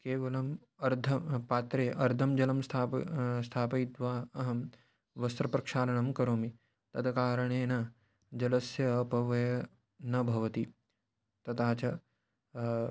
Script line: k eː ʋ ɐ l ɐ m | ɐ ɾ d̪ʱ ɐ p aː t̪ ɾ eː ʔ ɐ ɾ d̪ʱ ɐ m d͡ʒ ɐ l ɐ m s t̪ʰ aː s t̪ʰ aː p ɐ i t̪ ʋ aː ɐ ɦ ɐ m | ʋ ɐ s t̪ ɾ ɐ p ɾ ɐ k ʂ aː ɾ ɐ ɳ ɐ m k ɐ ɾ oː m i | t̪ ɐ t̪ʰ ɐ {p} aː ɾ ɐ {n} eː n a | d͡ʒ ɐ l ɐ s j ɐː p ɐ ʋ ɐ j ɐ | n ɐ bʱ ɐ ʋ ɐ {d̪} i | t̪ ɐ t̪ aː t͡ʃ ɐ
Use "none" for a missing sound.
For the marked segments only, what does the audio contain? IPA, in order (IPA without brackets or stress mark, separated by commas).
k, ɳ, t̪